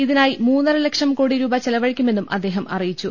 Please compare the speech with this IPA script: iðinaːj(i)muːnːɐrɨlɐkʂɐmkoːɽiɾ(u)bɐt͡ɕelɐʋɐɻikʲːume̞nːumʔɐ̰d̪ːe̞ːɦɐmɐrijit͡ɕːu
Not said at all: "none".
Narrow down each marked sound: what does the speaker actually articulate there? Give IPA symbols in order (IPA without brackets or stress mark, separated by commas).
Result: i, uː